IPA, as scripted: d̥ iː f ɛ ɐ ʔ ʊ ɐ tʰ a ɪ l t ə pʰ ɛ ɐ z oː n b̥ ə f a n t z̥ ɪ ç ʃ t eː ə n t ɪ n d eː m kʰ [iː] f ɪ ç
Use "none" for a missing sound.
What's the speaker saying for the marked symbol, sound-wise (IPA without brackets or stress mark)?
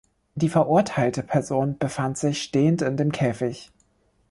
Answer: ɛː